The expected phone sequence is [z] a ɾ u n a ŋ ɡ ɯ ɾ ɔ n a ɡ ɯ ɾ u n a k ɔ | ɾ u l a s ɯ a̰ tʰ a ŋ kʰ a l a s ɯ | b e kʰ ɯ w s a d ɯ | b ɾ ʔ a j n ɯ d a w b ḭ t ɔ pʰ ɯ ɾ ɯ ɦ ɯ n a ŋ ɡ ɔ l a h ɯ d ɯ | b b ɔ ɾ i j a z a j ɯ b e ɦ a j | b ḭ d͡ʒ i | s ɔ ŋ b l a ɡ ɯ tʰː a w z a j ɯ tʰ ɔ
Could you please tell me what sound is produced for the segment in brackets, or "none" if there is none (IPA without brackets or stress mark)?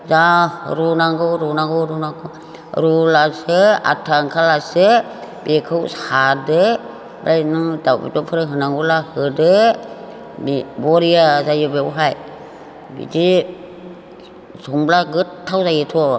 z